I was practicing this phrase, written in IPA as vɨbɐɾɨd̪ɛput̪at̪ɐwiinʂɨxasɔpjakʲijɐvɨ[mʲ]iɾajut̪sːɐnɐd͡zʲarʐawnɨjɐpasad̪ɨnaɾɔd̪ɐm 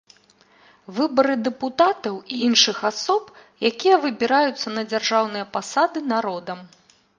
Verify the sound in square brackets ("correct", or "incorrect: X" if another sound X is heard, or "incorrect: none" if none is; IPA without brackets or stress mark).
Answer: incorrect: bʲ